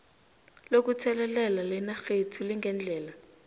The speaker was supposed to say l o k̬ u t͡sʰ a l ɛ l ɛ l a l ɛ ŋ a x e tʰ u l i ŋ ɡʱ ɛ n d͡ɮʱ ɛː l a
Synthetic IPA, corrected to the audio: l o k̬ u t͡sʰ ɛ l ɛ l ɛ l a l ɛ n a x e tʰ u l i ŋ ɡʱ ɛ n d͡ɮʱ ɛː l a